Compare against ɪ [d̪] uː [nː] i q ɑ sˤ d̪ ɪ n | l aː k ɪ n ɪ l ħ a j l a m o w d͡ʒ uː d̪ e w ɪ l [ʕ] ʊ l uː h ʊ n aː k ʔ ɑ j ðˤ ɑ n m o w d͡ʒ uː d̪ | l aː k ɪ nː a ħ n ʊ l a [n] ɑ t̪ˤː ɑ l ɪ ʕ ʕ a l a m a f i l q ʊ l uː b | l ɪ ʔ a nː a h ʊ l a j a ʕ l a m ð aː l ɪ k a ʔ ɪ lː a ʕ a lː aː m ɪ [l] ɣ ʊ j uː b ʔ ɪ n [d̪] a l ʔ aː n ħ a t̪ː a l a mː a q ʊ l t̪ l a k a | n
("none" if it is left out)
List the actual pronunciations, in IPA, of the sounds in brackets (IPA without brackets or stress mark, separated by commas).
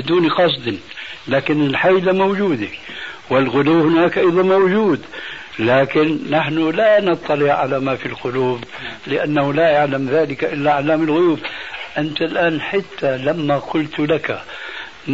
d̪, n, ɣ, n, l, t̪